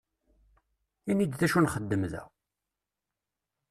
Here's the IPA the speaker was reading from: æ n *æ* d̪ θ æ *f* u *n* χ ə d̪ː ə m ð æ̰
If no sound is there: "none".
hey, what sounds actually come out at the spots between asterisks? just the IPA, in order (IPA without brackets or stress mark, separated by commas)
i, ʃ, n